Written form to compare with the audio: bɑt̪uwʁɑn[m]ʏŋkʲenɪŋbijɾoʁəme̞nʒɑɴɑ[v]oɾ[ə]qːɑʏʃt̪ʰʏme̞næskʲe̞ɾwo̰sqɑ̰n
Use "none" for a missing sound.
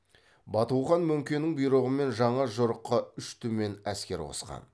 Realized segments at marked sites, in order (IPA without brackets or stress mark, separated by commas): m, ʒ, ə